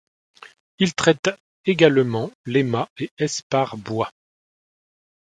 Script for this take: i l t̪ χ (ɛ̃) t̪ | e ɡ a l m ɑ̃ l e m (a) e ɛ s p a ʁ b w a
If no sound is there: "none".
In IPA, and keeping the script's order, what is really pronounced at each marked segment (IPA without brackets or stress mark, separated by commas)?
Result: ɛ, a